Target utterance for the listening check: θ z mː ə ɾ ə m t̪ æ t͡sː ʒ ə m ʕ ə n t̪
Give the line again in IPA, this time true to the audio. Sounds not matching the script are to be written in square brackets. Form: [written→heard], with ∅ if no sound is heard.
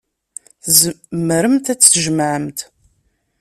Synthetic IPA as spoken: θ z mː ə ɾ ə m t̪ æ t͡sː ʒ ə m ʕ ə [n→m] t̪